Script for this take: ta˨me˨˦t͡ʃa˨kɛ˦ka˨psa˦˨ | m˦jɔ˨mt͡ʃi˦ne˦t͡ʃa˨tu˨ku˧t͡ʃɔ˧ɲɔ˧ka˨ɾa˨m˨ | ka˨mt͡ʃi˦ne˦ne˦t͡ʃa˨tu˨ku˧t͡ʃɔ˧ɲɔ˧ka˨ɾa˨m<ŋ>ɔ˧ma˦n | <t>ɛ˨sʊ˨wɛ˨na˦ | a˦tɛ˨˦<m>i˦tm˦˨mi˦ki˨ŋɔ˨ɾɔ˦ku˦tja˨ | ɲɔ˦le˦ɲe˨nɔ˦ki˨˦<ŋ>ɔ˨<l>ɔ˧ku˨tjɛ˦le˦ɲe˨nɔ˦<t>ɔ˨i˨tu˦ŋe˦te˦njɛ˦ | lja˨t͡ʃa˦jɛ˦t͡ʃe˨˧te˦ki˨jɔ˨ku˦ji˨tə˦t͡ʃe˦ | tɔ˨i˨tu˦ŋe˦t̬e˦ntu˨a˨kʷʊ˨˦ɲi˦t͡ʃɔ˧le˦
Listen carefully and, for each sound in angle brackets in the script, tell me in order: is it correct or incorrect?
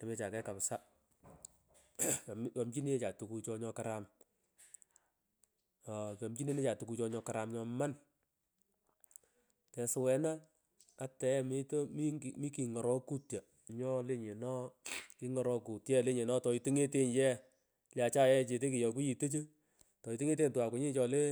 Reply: incorrect: ɲ, correct, correct, correct, incorrect: ɾ, correct

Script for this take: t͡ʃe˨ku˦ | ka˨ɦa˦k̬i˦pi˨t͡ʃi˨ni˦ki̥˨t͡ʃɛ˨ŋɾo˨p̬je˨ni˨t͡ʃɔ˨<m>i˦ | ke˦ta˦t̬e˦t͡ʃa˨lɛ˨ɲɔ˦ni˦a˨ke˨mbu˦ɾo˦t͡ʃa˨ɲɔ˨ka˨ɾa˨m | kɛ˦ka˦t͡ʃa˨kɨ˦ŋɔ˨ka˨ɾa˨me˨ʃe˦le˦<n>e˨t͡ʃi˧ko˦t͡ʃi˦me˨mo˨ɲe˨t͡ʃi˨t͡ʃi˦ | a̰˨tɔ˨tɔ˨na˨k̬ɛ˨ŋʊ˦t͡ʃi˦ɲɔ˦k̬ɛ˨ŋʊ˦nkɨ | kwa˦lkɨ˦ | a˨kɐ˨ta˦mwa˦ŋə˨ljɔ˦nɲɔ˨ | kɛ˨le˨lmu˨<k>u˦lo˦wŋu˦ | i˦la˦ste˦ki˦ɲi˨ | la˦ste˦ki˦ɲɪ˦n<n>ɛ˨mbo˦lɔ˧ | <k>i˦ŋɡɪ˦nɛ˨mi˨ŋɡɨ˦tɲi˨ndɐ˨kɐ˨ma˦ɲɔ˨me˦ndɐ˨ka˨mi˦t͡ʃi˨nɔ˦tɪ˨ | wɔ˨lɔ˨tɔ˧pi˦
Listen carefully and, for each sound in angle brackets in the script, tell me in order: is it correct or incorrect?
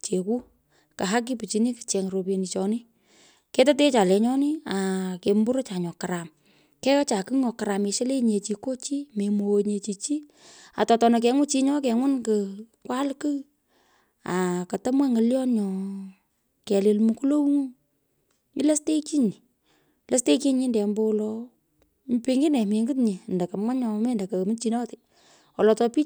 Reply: incorrect: n, incorrect: ɲ, correct, incorrect: d, incorrect: p

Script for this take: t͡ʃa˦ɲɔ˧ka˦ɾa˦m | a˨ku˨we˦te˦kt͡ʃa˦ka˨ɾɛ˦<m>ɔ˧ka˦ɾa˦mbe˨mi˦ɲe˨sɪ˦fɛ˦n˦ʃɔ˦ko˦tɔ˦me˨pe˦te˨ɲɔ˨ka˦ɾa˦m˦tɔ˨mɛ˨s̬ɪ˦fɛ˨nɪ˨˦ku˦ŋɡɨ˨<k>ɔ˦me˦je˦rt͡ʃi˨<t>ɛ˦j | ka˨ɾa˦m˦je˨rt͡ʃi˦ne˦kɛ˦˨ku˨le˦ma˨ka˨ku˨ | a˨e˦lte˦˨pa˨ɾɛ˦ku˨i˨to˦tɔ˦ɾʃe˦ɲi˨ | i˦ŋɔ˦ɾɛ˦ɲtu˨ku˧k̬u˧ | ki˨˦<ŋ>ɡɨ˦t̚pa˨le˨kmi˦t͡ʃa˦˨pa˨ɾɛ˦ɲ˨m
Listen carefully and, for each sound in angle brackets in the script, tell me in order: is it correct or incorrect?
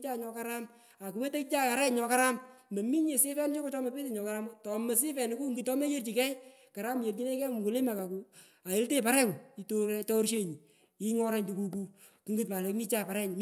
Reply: incorrect: ɲ, incorrect: t, incorrect: k, correct

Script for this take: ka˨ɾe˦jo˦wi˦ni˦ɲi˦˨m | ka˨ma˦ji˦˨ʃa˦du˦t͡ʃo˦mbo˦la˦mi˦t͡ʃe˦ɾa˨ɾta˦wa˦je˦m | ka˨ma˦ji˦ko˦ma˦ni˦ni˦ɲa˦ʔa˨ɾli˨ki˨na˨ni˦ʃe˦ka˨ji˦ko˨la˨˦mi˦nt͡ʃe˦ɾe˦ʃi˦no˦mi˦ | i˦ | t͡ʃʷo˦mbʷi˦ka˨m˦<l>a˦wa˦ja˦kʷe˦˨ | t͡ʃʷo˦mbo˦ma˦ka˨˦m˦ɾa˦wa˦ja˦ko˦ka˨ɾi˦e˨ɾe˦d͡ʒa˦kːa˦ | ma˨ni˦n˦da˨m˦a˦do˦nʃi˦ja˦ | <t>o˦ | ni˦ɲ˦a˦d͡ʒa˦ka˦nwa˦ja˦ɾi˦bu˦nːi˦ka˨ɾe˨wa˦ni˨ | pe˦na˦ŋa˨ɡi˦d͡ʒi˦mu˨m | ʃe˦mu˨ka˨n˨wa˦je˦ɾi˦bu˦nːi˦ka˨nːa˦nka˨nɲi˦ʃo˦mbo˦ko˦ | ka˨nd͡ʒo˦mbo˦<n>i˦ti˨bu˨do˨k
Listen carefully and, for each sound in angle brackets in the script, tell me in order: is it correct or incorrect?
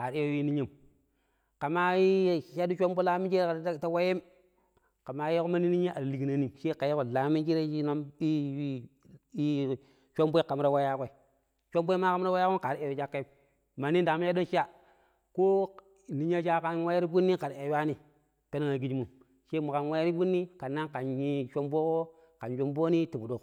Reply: incorrect: ɾ, incorrect: k, correct

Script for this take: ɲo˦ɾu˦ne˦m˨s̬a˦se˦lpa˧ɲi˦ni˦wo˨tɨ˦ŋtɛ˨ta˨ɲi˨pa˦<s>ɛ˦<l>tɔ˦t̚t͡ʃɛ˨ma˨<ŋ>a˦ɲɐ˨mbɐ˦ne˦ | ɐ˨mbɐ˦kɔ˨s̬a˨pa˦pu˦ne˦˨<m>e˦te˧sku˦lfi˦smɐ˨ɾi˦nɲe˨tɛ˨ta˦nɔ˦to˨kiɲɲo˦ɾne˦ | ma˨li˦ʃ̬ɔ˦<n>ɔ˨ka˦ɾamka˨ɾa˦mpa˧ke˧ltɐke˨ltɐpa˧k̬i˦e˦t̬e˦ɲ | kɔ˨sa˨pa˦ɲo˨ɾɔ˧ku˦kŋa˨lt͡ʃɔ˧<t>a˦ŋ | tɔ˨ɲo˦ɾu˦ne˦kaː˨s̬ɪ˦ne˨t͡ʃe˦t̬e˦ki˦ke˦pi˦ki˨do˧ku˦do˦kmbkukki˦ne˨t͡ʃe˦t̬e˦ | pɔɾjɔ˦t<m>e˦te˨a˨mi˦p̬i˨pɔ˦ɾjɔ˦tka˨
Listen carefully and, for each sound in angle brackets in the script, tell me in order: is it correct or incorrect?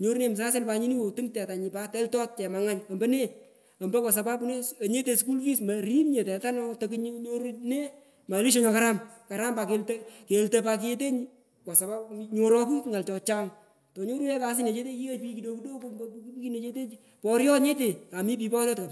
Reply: incorrect: t, correct, correct, incorrect: ɲ, incorrect: ɲ, incorrect: t͡ʃ, incorrect: ɲ

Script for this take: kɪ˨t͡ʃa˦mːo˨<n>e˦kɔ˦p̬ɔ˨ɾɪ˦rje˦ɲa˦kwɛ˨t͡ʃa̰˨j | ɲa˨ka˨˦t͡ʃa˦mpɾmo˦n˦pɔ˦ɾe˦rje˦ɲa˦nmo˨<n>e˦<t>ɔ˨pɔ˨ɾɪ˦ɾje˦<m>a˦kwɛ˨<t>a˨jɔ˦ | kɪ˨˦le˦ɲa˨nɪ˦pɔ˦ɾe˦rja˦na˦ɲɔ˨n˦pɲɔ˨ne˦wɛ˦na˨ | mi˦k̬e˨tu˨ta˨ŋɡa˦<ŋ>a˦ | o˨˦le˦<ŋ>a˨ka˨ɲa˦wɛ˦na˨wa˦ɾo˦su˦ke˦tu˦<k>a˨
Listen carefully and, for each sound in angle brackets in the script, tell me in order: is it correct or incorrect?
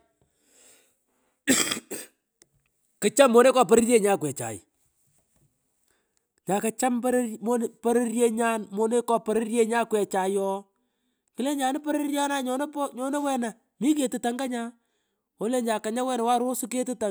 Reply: correct, correct, incorrect: k, incorrect: ɲ, incorrect: t͡ʃ, incorrect: ɲ, incorrect: ɲ, incorrect: t

